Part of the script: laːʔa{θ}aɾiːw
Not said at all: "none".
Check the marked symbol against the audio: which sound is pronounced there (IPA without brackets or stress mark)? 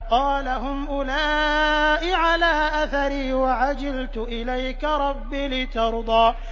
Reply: θ